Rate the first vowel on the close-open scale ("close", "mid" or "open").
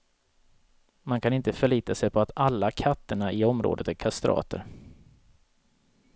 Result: open